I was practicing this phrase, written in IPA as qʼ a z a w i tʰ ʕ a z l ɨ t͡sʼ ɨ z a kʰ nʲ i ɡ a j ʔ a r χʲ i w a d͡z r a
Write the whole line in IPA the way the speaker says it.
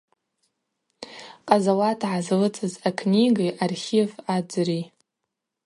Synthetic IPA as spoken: qʼ a z a w a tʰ ʕ a z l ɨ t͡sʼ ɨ z a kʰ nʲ i ɡ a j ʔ a r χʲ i v a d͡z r i